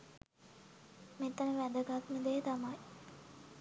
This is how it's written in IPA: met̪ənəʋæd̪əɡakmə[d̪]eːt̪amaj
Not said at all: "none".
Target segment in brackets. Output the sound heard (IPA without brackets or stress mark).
d̪